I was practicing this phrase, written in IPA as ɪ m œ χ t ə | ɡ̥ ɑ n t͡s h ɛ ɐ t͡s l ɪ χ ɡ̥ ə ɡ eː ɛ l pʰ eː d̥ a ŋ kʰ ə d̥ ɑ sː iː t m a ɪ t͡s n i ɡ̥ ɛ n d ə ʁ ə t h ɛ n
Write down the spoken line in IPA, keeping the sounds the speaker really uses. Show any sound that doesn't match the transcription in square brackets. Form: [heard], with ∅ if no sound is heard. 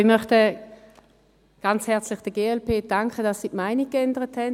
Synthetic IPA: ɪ m œ χ t ə | ɡ̥ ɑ n t͡s h ɛ ɐ t͡s l ɪ χ [d̥] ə ɡ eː ɛ l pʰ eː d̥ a ŋ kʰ ə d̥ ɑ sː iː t m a ɪ [∅] n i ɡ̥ ɛ n d ə ʁ ə t h ɛ n